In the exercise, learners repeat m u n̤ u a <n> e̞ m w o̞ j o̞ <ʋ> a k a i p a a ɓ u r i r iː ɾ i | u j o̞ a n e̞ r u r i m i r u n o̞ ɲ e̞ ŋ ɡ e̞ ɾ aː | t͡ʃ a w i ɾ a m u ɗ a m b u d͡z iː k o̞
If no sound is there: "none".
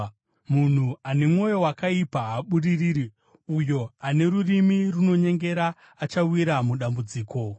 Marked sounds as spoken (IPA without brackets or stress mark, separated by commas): n, w